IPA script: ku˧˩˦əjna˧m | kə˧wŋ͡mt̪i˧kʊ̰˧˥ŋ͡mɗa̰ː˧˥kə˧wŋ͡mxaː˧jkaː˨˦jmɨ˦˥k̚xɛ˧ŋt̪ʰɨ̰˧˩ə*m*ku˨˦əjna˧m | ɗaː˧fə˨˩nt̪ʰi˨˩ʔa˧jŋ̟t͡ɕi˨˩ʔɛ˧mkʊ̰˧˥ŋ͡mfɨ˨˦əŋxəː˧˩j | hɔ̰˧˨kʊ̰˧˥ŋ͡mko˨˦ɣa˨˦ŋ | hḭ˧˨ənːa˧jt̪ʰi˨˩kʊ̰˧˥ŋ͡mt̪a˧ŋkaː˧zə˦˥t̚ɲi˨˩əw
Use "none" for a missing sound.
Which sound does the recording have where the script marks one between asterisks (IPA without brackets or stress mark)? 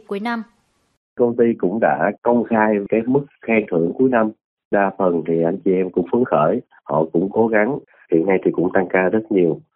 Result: ŋ